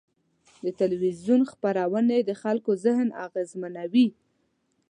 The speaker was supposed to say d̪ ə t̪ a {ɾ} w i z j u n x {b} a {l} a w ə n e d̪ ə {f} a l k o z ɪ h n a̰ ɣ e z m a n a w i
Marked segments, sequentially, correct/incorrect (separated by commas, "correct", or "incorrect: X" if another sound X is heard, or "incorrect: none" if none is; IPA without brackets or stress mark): incorrect: l, incorrect: p, incorrect: ɾ, incorrect: x